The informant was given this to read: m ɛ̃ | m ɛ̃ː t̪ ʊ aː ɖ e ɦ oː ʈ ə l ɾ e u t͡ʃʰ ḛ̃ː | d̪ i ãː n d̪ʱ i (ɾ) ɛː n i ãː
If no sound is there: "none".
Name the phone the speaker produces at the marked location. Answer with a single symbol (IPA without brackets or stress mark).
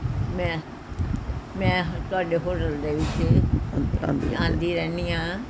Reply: ɾ